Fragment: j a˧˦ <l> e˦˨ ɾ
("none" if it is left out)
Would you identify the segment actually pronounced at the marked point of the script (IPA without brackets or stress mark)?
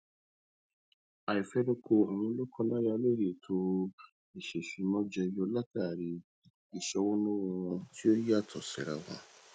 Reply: l